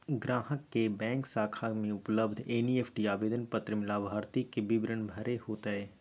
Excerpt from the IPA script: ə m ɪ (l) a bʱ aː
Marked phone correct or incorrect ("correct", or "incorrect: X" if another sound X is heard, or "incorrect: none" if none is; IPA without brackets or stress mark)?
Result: correct